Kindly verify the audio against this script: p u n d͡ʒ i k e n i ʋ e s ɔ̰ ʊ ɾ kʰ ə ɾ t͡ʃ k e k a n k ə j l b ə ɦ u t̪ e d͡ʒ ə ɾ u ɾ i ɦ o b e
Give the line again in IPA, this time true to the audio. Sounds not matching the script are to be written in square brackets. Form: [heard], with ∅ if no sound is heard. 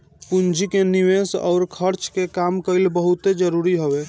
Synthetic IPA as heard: p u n d͡ʒ i k e n i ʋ e s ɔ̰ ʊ ɾ kʰ ə ɾ t͡ʃ k e k a [m] k ə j l b ə ɦ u t̪ e d͡ʒ ə ɾ u ɾ i ɦ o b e